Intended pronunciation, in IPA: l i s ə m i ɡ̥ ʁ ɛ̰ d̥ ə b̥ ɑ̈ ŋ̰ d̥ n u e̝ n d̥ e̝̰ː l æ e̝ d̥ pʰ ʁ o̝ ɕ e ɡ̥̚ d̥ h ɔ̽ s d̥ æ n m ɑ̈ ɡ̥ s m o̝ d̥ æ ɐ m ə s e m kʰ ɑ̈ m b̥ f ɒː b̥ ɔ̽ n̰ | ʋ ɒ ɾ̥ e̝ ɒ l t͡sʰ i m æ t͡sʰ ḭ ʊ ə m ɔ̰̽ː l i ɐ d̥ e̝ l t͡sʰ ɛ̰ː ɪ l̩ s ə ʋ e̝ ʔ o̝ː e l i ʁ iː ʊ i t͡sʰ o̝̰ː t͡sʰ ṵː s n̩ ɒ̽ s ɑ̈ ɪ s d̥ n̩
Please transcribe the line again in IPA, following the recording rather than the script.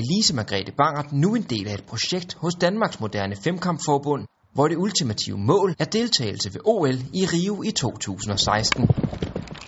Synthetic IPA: l i s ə m æ ɡ̥ ʁ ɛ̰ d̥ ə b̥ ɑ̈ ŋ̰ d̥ n u e̝ n d̥ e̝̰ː l æ e̝ d̥ pʰ ʁ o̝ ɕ e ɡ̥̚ d̥ h ɔ̽ s d̥ æ n m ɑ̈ ɡ̥ s m o̝ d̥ æ ɐ n ə f e m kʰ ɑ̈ m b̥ f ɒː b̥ ɔ̽ n̰ | ʋ ɒ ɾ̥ e̝ u l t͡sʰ i m æ t͡sʰ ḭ ʊ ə m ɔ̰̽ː l æ ɐ d̥ e̝ l t͡sʰ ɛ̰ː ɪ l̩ s ə ʋ e̝ ʔ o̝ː e l i ʁ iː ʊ i t͡sʰ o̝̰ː t͡sʰ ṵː s n̩ ɒ̽ s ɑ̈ ɪ s d̥ n̩